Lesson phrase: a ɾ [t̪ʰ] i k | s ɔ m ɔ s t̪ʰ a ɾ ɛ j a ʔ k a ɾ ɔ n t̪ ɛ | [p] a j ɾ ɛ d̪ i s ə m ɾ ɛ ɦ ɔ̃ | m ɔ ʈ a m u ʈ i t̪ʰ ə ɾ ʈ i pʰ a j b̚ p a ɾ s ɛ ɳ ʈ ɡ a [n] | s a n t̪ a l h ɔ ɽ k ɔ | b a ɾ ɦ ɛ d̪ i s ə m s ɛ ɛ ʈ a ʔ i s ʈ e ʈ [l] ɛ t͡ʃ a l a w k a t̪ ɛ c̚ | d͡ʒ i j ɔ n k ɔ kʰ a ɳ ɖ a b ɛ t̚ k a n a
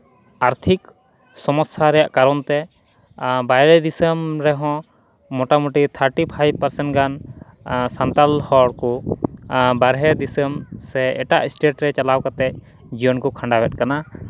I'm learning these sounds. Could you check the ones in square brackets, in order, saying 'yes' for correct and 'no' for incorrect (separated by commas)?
yes, no, yes, no